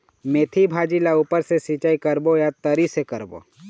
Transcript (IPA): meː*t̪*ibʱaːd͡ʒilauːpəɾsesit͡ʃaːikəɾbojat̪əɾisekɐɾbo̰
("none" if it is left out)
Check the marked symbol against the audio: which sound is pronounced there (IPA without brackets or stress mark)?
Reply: t̪ʰ